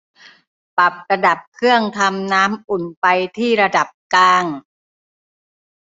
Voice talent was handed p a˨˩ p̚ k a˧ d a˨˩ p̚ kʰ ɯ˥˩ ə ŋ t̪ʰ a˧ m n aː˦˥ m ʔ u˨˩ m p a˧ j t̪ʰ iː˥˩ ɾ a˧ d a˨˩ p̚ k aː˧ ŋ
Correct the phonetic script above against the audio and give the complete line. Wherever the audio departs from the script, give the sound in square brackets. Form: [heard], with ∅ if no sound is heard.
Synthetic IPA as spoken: p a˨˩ p̚ k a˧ d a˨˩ p̚ kʰ ɯ˥˩ ə ŋ t̪ʰ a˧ m n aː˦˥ m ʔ u˨˩ [n] p a˧ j t̪ʰ iː˥˩ ɾ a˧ d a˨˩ p̚ k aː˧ ŋ